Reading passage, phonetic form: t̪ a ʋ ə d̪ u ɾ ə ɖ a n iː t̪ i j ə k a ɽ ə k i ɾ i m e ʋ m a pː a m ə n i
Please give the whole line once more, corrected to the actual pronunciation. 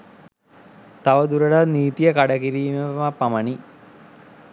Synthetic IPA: t̪ a ʋ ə d̪ u ɾ ə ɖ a n iː t̪ i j ə k a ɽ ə k i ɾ iː m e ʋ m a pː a m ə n i